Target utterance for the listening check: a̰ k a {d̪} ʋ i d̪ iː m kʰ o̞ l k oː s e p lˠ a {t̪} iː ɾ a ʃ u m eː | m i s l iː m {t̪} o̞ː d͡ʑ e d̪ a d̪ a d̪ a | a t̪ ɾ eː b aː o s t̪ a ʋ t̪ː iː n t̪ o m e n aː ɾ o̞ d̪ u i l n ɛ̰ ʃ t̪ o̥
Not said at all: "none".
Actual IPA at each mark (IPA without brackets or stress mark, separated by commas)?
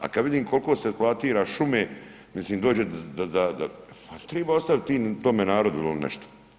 d̪, t̪, d̪